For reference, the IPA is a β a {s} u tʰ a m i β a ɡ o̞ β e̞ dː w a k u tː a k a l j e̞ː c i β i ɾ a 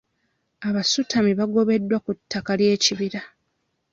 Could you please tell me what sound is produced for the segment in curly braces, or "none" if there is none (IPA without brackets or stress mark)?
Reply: s